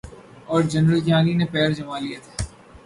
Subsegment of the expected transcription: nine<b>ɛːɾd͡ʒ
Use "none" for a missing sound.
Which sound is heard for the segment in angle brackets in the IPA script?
p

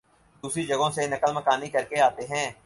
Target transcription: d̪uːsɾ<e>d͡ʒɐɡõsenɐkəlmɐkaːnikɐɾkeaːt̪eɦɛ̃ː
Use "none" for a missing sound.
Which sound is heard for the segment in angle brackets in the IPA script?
i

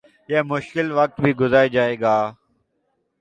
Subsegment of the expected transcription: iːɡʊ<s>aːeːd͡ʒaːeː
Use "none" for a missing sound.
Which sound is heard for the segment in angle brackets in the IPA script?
z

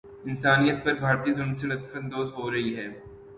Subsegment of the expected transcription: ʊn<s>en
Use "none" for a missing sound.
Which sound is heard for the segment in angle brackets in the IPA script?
s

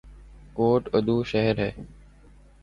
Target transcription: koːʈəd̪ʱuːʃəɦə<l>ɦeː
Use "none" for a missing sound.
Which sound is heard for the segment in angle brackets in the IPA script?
ɾ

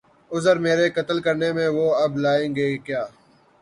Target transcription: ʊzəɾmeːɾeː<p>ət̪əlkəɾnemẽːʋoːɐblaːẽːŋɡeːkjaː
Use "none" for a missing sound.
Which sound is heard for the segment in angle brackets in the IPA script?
k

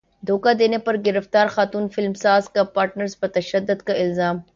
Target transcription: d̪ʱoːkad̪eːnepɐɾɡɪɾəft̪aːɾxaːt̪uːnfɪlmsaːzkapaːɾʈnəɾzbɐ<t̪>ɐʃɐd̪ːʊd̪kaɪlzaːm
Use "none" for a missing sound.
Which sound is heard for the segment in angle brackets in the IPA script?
t̪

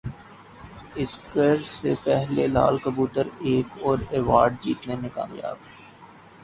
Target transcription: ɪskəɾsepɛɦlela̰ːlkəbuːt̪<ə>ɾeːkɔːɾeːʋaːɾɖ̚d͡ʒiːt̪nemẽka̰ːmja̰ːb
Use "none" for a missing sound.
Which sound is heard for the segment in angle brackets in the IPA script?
ə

